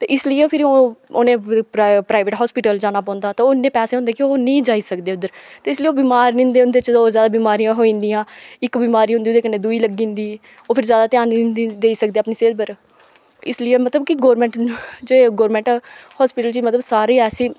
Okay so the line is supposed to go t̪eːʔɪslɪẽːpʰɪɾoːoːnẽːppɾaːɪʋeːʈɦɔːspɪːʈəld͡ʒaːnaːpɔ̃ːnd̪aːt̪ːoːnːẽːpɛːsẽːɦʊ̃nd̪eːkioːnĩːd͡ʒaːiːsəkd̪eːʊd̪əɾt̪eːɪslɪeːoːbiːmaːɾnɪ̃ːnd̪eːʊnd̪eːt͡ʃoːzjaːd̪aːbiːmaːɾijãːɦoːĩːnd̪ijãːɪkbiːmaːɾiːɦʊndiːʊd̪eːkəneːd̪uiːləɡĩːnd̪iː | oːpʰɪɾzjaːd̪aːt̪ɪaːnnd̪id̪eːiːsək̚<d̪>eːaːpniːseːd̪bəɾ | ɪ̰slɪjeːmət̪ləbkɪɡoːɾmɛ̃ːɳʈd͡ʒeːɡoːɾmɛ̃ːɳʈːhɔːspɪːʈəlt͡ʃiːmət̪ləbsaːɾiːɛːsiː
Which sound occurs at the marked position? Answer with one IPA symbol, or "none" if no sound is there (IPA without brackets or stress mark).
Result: d̪